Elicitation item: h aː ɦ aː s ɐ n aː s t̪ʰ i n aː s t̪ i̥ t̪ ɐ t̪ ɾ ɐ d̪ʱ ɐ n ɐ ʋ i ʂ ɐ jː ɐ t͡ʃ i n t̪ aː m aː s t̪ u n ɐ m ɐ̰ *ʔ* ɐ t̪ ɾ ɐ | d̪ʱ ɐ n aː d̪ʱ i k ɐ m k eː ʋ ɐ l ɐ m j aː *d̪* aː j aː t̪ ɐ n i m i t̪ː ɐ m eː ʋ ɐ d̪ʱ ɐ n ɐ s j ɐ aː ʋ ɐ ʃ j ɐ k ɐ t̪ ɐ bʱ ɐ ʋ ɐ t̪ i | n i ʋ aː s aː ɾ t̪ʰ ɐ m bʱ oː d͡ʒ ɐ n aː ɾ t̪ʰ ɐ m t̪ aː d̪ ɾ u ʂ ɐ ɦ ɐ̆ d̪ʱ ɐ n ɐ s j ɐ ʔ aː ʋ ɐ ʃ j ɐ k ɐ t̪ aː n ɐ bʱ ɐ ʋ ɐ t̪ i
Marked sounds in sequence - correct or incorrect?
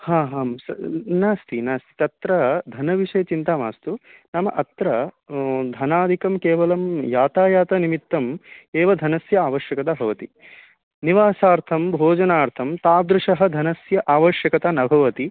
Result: correct, incorrect

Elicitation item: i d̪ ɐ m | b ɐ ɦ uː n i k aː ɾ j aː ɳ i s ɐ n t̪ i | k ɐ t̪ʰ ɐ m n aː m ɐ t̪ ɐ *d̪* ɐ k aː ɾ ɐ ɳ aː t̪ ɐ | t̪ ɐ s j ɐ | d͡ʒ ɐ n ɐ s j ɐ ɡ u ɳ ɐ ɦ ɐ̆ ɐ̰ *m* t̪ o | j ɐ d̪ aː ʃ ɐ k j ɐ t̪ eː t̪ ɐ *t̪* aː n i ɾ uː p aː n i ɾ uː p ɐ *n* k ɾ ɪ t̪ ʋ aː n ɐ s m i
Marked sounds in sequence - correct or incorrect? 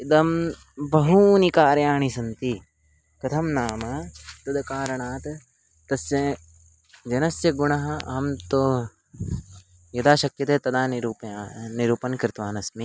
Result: correct, correct, incorrect, correct

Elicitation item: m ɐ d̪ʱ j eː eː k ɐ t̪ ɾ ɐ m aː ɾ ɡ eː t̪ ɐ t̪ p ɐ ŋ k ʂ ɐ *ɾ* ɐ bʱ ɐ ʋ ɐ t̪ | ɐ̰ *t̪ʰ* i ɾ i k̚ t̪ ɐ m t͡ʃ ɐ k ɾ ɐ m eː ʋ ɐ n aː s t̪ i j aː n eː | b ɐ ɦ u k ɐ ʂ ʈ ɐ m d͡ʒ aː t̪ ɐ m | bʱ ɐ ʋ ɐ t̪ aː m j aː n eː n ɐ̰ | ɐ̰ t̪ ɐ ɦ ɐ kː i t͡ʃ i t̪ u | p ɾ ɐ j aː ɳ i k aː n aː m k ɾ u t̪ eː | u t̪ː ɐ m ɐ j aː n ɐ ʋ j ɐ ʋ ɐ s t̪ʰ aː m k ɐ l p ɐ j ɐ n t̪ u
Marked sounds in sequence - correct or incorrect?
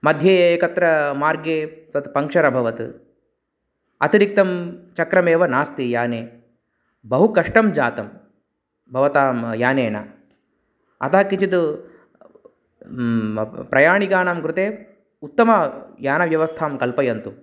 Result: correct, incorrect

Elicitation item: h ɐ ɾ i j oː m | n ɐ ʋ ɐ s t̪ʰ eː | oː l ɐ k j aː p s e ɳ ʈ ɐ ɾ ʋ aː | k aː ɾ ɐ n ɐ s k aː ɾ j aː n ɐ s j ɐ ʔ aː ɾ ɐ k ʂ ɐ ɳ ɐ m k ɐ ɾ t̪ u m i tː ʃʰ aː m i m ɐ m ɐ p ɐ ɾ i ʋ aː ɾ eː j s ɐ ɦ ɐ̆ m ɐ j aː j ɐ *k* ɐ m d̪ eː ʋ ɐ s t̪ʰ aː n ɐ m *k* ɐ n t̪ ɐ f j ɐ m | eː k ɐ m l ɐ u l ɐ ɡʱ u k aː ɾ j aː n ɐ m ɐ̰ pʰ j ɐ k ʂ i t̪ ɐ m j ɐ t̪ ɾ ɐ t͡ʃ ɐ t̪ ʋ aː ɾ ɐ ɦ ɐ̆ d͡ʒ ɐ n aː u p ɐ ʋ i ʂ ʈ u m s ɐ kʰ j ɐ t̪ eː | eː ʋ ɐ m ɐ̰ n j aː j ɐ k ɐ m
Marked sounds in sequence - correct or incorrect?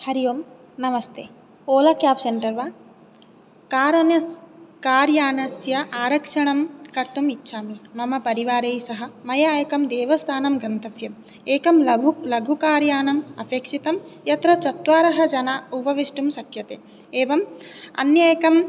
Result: correct, incorrect

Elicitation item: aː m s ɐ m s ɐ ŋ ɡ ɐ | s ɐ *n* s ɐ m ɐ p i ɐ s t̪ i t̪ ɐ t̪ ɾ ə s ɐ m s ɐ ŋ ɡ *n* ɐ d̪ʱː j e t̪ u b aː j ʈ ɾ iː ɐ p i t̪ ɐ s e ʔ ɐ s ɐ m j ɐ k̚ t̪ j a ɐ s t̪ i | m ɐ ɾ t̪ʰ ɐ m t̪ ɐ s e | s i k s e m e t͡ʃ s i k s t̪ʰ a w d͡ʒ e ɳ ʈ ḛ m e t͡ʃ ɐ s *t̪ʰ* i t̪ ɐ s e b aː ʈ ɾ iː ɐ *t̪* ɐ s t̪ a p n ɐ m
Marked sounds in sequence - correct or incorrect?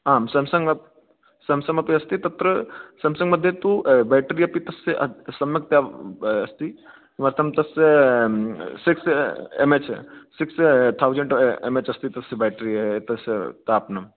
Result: incorrect, incorrect, incorrect, correct

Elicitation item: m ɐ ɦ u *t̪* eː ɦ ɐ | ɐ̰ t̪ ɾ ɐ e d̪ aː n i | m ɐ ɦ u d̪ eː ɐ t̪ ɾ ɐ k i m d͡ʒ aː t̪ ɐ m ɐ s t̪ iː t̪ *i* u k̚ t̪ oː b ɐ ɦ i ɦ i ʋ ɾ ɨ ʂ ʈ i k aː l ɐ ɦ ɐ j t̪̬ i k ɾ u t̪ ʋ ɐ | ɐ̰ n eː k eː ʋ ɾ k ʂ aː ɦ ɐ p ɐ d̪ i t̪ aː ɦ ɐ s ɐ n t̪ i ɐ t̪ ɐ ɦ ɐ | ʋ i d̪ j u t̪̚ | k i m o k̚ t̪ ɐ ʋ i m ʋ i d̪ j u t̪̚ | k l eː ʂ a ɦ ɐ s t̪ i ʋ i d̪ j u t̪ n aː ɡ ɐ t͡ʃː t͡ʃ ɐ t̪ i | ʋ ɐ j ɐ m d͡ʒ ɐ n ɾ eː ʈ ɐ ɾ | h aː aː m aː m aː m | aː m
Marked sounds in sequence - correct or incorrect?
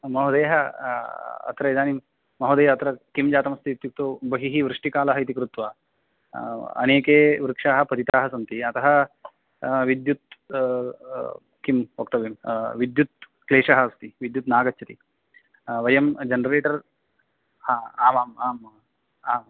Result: incorrect, incorrect

